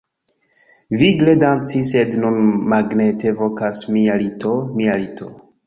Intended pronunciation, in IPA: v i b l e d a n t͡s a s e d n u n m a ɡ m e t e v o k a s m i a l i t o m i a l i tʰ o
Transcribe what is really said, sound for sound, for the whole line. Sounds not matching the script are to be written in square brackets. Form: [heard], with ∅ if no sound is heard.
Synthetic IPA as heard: v i [ɡ] l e d a n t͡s [i] s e d n u n m a ɡ [n] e t e v o k a s m i a l i t o m i a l i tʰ o